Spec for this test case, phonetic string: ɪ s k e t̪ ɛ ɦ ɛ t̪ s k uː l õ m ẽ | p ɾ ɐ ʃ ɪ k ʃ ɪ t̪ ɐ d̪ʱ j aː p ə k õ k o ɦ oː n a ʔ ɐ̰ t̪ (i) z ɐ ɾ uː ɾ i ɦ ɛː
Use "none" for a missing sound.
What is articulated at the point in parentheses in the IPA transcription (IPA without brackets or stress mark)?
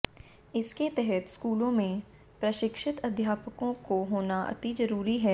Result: i